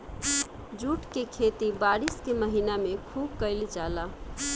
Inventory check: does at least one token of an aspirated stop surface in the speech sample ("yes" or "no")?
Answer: yes